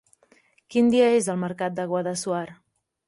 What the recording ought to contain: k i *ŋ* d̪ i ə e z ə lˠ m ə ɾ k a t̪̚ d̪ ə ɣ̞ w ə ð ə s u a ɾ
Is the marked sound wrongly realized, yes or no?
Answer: yes